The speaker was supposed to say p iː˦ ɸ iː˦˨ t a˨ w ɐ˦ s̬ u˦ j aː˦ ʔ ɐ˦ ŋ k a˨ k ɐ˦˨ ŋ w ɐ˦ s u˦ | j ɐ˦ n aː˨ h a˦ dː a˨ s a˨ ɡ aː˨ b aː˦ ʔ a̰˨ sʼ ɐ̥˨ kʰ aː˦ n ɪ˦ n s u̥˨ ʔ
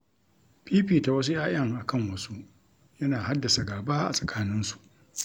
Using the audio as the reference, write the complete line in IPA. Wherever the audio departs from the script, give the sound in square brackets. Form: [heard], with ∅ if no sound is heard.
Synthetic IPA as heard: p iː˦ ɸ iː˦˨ t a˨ w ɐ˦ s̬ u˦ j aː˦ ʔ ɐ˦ ŋ [ʔ] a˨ k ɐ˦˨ ŋ w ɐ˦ s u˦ | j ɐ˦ n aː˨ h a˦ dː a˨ s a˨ ɡ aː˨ b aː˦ ʔ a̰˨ sʼ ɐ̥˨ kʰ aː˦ n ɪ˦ n s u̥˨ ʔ